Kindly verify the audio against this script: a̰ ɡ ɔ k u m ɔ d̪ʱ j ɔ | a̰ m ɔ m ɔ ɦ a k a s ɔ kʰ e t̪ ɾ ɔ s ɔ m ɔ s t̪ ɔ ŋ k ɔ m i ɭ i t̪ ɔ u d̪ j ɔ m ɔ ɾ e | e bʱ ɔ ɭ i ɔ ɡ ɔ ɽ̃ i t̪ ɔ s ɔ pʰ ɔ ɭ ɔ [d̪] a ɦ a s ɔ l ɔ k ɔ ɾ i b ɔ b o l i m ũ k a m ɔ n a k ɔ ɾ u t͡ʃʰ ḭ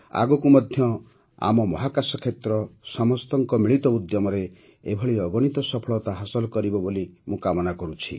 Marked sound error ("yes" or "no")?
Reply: yes